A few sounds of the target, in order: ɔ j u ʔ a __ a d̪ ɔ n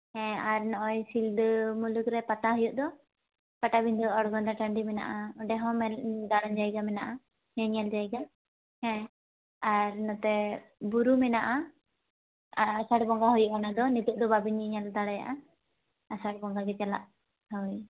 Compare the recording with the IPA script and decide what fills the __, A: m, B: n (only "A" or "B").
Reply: B